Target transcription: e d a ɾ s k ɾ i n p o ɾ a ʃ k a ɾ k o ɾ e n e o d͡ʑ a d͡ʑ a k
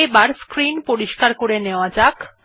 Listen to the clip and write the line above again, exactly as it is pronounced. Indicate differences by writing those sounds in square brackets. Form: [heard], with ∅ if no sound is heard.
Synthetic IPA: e [b] a ɾ s k ɾ i n p o ɾ [i] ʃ k a ɾ k o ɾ e n e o [∅] a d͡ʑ a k